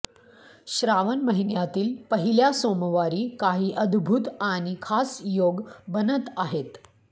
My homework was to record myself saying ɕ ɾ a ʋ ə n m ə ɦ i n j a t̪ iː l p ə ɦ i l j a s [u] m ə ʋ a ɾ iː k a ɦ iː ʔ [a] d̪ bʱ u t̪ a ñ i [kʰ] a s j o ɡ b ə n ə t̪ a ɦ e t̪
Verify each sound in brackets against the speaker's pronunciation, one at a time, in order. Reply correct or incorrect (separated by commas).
incorrect, incorrect, correct